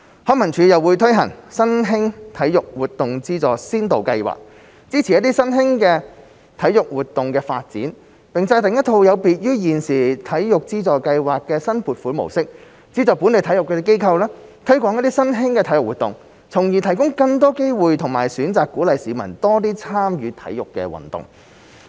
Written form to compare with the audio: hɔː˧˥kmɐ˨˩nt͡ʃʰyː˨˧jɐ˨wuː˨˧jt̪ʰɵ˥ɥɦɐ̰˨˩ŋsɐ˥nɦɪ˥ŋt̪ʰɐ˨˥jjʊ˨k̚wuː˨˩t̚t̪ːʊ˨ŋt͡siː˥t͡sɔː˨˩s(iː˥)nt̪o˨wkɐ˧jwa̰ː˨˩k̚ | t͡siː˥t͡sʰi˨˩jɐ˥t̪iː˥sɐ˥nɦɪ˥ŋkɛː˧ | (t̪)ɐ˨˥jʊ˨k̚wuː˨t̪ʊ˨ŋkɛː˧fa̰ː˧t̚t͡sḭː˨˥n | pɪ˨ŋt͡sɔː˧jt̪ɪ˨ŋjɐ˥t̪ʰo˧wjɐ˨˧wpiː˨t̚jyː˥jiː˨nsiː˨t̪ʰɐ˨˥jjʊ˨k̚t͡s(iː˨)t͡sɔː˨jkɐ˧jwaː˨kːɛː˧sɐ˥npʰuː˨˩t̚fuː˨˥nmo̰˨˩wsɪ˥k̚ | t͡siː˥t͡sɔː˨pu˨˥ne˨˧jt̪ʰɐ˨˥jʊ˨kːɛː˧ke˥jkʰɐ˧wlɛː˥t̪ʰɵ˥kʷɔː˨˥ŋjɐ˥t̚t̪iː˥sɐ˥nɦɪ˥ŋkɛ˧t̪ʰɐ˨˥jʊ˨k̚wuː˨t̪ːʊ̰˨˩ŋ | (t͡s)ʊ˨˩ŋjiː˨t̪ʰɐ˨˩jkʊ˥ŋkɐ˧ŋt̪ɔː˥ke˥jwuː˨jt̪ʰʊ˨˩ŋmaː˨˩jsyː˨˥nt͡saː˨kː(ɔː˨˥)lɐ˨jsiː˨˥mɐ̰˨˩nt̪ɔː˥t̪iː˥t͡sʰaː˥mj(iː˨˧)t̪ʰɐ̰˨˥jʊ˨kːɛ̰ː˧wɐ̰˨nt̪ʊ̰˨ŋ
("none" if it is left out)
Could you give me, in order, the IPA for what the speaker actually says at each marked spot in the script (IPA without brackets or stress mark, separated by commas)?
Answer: iː˥, t̪ʰ, iː˥, t͡sʰ, uː˨˥, yː˨˧